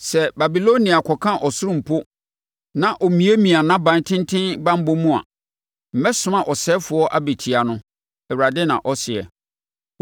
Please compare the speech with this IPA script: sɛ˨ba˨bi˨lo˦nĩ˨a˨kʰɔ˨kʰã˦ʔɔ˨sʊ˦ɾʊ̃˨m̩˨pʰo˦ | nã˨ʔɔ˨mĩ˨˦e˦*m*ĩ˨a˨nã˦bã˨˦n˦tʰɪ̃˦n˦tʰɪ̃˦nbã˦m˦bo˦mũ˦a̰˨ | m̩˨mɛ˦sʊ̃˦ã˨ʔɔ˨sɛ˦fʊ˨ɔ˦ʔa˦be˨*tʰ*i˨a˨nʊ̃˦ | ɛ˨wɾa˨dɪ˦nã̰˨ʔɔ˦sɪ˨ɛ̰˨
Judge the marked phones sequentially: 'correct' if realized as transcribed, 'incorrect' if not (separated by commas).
correct, correct